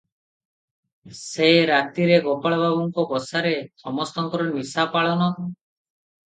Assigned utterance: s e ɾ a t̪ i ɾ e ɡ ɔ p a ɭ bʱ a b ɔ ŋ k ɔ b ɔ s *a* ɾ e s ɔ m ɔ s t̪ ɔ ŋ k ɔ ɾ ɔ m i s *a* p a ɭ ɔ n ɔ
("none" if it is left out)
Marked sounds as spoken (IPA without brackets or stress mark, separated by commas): a, a